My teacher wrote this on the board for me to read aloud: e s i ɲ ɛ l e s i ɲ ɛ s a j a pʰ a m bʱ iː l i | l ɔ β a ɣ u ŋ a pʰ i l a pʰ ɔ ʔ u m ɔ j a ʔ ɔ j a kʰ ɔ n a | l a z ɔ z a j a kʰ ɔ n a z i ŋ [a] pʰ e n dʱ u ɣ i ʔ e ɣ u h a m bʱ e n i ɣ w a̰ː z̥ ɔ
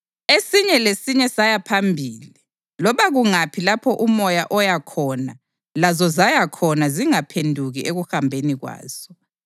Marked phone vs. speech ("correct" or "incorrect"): correct